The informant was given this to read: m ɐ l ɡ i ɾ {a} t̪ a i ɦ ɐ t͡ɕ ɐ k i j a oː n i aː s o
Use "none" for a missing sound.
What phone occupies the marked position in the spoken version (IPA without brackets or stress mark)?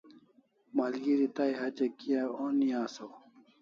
i